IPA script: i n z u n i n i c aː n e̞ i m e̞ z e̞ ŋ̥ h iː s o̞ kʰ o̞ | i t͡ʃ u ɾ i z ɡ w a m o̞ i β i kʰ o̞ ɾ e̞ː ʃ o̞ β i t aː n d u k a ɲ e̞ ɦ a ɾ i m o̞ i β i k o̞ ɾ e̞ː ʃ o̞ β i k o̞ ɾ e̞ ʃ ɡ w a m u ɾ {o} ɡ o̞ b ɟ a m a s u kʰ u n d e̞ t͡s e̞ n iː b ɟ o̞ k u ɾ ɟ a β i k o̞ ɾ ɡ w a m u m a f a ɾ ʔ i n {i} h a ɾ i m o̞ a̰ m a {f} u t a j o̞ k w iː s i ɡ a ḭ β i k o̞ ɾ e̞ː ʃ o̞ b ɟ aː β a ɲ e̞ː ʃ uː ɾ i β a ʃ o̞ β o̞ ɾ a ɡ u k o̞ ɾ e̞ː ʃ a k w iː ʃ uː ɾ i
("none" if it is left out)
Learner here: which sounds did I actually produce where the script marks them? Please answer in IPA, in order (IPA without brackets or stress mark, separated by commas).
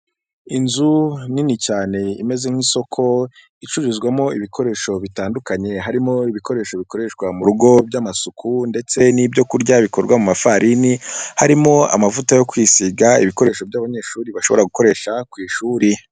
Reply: u, i, v